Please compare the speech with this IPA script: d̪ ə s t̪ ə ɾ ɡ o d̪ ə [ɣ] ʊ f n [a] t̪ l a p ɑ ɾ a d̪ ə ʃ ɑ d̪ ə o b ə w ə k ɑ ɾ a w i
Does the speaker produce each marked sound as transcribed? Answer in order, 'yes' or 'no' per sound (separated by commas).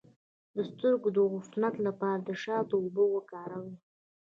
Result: yes, yes